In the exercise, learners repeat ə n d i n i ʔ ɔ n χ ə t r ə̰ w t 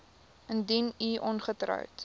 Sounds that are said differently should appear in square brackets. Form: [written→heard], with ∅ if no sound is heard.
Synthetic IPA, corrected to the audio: ə n d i n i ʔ ɔ n χ ə t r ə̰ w t